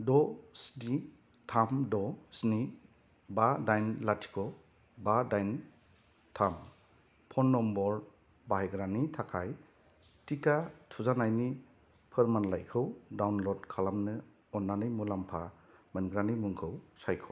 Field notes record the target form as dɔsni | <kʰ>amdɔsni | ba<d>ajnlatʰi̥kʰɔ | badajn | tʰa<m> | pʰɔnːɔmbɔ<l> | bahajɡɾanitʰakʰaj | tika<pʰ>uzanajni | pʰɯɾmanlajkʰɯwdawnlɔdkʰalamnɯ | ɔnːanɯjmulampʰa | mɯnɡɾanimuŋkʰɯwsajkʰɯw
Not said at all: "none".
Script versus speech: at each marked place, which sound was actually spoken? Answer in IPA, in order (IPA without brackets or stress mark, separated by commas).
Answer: tʰ, d, m, ɾ, tʰ